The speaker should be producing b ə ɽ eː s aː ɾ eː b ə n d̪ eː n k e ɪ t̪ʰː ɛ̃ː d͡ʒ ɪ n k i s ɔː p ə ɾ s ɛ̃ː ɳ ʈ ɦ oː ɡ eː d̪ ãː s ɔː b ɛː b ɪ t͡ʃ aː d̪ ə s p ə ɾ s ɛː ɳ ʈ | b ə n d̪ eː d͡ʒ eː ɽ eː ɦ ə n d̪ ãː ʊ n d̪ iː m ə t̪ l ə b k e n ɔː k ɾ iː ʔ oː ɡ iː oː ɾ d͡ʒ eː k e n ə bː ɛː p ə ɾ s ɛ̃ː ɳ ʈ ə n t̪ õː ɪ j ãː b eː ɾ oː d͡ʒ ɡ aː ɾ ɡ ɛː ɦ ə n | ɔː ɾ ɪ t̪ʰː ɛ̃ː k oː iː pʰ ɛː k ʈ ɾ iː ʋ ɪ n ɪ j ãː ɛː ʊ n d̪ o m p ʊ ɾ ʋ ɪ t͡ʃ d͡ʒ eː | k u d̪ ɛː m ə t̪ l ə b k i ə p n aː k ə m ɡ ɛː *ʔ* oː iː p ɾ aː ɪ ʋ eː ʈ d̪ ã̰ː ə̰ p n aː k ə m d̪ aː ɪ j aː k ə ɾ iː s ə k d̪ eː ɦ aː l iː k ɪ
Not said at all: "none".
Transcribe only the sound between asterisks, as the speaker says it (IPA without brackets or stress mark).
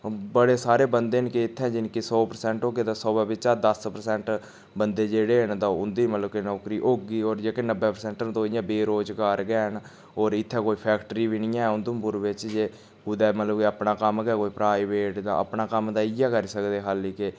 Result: k